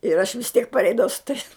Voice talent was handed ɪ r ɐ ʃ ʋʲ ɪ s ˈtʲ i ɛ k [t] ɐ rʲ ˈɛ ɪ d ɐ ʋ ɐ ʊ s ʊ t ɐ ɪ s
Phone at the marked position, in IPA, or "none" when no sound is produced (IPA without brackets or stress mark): p